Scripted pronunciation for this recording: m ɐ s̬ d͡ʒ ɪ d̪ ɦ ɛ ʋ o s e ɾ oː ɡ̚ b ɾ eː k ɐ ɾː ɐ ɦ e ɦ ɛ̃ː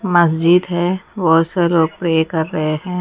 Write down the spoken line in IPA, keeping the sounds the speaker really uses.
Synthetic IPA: m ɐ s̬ d͡ʒ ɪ d̪ ɦ ɛ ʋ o s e l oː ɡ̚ p ɾ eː k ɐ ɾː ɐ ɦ e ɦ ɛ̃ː